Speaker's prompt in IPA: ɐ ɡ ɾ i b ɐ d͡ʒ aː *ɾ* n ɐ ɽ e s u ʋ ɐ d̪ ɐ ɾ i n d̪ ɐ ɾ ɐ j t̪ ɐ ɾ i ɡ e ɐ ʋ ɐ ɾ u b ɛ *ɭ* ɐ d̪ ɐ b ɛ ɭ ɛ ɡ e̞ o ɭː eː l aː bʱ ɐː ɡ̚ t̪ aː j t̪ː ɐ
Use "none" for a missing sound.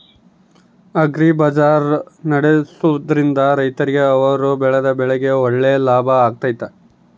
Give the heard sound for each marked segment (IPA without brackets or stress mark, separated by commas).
ɾ, ɭ